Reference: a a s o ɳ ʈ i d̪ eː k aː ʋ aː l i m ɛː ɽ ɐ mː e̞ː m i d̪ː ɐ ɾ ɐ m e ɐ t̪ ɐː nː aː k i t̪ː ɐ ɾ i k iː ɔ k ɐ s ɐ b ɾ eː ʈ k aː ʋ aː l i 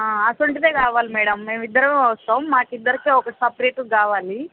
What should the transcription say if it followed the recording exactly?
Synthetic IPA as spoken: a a s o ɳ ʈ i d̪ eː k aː ʋ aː l i m ɛː ɽ ɐ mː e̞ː m i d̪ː ɐ ɾ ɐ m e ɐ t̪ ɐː mː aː k i d̪ː ɐ ɾ i k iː ɔ k ɐ s ɐ p ɾ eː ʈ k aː ʋ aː l i